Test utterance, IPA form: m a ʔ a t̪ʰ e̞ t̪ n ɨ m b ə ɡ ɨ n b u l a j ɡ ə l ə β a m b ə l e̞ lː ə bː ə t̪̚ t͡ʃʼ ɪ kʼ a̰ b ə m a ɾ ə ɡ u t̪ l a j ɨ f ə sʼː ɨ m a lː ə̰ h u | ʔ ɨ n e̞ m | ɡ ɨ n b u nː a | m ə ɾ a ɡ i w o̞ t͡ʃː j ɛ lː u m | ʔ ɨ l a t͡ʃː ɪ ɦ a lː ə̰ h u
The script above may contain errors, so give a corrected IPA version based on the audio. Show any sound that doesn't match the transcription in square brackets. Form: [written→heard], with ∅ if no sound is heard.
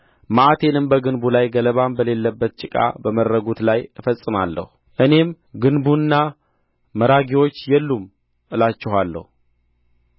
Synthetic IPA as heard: m a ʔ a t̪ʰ e̞ [t̪→∅] n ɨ m b ə ɡ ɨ n b u l a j ɡ ə l ə β a m b ə l e̞ lː ə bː ə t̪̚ t͡ʃʼ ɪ kʼ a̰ b ə m [a→ə] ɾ ə ɡ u t̪ l a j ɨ f ə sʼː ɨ m a lː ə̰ h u | ʔ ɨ n e̞ m | ɡ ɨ n b u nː a | m ə ɾ a ɡ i w o̞ t͡ʃː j ɛ lː u m | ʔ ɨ l a t͡ʃː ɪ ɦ a lː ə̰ h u